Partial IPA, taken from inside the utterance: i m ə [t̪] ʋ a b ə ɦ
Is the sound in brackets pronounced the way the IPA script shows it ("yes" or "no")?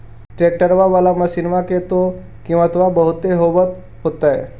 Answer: yes